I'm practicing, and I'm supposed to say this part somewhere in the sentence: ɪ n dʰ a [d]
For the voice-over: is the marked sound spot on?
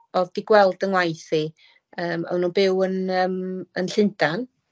no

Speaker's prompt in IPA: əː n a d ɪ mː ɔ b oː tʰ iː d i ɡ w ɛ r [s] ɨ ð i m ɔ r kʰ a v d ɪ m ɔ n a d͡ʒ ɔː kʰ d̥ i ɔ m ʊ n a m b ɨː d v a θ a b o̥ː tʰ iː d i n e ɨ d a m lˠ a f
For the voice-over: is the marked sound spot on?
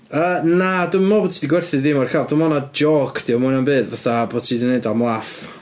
no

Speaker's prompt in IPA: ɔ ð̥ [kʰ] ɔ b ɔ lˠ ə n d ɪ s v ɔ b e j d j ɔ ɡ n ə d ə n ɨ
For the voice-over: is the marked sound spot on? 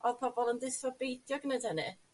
no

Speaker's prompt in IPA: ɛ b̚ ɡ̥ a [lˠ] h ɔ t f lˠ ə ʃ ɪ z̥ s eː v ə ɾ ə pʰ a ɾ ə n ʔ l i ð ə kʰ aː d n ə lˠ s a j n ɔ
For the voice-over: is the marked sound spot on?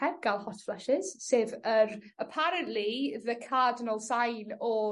yes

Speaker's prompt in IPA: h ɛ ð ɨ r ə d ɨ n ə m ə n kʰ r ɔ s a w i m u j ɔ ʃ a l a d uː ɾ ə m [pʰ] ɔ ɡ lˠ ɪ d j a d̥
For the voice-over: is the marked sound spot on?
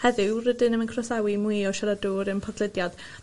yes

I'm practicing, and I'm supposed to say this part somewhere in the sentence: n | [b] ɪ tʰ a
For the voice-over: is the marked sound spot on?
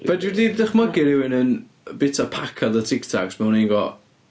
yes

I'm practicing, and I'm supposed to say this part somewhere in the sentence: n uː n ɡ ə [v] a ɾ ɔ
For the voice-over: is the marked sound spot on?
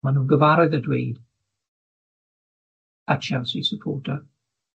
yes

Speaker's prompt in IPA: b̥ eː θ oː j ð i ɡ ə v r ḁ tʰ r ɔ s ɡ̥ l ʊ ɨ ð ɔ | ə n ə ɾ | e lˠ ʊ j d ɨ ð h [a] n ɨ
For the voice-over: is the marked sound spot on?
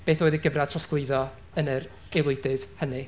no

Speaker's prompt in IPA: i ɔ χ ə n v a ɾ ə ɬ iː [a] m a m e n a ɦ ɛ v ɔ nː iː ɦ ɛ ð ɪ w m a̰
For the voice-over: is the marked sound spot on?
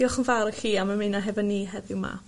yes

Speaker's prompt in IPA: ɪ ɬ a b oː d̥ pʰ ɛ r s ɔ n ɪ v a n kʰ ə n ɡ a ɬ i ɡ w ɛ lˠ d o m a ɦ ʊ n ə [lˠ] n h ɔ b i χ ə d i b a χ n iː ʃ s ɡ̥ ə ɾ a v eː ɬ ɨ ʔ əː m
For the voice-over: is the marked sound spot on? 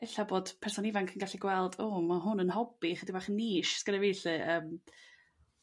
no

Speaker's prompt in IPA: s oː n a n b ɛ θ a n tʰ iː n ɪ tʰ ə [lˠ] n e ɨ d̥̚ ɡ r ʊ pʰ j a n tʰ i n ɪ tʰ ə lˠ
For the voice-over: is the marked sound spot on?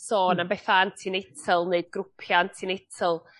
yes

